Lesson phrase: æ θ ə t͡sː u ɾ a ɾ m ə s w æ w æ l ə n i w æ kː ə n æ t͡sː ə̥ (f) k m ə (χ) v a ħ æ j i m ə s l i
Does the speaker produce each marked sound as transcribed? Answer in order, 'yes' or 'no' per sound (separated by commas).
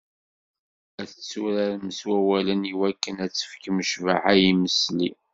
yes, no